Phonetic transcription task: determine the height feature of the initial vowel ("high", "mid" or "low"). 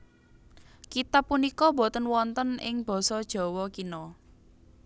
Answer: high